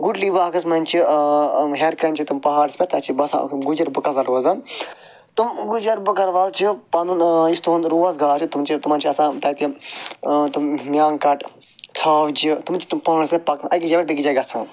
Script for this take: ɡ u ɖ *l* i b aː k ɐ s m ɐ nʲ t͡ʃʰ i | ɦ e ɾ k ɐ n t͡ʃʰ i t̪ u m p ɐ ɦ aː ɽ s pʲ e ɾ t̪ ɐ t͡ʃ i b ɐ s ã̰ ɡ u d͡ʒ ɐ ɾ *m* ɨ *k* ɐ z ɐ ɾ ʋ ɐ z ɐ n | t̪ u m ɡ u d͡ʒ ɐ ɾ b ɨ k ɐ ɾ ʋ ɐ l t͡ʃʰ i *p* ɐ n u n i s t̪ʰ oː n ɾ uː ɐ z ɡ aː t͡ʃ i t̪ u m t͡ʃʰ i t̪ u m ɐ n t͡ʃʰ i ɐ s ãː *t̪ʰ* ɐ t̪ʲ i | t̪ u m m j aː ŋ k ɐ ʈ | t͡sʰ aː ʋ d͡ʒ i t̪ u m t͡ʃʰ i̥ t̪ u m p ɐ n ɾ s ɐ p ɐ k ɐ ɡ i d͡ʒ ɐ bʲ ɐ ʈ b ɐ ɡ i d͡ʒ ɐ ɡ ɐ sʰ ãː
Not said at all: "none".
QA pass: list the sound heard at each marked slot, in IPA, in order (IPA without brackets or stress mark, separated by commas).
l, b, k, p, t̪